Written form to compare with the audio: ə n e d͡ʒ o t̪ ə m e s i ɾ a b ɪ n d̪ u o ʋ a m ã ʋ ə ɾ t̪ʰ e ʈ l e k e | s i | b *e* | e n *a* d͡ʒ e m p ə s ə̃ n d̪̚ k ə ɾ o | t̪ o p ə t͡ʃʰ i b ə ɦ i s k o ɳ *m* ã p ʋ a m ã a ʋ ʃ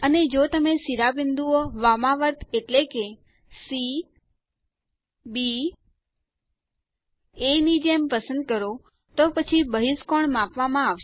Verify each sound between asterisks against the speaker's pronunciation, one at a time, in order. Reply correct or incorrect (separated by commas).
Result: incorrect, incorrect, correct